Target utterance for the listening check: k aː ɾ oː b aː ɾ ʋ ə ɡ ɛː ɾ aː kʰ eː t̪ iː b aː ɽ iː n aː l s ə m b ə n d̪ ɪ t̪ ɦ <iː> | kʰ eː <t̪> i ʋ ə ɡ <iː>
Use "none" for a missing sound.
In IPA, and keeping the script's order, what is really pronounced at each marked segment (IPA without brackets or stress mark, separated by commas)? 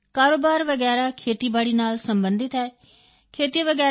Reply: ɛː, t̪, ɛː